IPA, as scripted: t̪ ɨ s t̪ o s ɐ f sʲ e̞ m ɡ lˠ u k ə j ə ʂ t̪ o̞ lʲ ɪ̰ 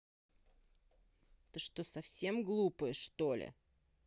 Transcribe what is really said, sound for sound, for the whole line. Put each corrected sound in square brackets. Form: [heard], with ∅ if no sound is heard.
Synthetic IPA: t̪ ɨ [ʂ] t̪ o s ɐ f sʲ e̞ m ɡ lˠ u [p] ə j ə ʂ t̪ o̞ lʲ ɪ̰